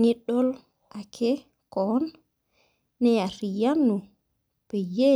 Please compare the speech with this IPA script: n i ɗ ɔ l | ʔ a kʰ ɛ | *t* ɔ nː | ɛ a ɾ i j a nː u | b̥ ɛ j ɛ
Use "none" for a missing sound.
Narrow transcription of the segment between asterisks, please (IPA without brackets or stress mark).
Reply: k